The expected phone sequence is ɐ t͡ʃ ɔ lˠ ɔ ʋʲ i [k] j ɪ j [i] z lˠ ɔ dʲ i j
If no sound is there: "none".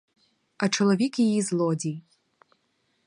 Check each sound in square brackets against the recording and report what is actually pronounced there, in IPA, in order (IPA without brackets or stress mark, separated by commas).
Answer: k, i